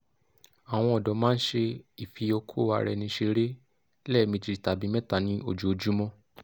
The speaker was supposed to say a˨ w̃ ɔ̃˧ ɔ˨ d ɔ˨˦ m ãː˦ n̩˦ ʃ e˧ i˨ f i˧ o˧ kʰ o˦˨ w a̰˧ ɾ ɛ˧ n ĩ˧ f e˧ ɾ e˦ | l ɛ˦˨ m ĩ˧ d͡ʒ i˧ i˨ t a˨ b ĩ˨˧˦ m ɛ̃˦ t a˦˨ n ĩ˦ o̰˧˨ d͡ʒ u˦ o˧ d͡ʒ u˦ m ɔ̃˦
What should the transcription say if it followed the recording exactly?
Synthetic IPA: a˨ w̃ ɔ̃˧ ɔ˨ d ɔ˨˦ m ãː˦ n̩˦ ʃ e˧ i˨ f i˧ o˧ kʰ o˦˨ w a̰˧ ɾ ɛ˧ n ĩ˧ ʃ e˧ ɾ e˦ | l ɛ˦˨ m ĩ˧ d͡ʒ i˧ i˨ t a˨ b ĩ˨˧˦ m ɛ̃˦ t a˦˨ n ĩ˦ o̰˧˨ d͡ʒ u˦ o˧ d͡ʒ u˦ m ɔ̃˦